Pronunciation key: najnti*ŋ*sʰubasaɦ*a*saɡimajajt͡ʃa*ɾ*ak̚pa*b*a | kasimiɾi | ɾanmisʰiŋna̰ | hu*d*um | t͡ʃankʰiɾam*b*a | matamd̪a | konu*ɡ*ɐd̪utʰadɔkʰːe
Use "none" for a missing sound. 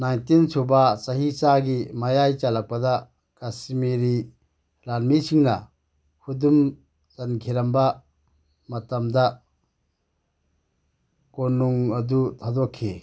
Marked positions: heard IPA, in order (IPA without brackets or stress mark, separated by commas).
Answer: n, i, l, d, d, b, ŋ